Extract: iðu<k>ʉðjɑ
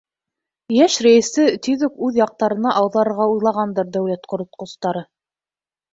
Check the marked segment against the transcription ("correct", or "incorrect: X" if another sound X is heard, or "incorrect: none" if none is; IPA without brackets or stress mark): correct